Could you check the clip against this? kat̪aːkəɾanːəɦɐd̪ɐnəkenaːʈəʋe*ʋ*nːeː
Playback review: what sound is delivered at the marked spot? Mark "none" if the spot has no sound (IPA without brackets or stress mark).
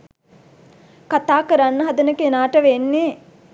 none